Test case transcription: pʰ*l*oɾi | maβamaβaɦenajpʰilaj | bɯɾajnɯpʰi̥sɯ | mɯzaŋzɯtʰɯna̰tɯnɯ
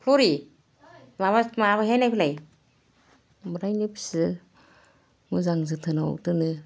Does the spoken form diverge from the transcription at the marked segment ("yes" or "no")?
no